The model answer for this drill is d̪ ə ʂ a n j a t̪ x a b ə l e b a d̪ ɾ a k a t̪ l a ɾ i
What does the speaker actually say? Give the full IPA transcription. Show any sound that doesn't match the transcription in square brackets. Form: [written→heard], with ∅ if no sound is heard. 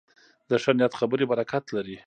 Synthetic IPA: d̪ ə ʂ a n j a t̪ x a b ə [l→ɾ] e b a [d̪→∅] ɾ a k a t̪ l a ɾ i